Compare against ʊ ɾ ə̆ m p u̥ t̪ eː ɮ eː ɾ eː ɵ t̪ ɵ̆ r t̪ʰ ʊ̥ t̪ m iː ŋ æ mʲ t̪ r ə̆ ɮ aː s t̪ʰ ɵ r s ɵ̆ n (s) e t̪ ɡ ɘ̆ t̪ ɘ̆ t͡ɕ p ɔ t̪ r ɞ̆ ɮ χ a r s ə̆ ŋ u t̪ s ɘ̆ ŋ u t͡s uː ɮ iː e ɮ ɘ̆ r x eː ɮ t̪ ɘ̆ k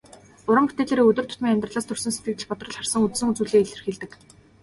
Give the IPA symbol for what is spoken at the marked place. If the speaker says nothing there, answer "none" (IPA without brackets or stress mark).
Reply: s